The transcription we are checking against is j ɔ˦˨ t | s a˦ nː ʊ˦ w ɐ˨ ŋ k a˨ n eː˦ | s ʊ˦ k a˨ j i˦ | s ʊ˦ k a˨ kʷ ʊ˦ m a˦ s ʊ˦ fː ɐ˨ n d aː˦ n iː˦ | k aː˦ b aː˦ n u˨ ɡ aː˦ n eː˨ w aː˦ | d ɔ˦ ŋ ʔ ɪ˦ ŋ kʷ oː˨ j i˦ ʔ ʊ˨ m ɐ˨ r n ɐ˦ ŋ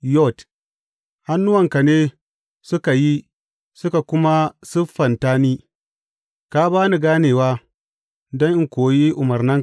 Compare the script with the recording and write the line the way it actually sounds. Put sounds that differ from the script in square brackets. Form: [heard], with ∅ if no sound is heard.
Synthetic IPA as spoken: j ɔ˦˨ t | [h] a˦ nː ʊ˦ w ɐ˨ ŋ k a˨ n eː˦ | s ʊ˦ k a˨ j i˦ | s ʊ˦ k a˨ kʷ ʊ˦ m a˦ s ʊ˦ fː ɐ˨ n [t] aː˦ n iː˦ | k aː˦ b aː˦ n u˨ ɡ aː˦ n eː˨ w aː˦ | d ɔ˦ ŋ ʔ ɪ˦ ŋ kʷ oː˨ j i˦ ʔ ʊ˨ m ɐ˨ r n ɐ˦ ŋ